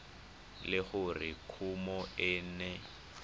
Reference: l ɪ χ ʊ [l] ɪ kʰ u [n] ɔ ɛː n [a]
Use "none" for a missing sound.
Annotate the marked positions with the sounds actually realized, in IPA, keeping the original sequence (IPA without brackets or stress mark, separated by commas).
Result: r, m, ɛ